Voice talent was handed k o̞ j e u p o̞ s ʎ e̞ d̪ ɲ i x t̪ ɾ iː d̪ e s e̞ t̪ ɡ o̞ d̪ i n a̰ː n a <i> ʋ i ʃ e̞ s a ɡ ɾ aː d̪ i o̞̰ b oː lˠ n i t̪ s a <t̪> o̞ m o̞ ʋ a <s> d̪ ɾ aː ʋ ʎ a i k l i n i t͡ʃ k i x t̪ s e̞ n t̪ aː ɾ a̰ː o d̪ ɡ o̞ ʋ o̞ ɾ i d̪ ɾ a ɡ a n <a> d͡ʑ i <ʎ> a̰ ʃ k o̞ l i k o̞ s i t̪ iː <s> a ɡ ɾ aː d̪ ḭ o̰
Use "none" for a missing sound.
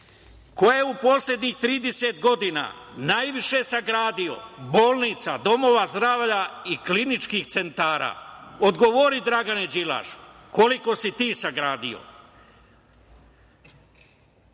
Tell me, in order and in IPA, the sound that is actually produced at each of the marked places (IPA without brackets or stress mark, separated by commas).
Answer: j, d̪, z, e, l, s